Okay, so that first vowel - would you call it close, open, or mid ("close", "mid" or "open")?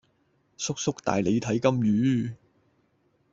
close